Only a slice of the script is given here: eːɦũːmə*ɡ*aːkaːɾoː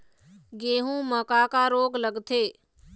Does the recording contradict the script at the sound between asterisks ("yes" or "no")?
yes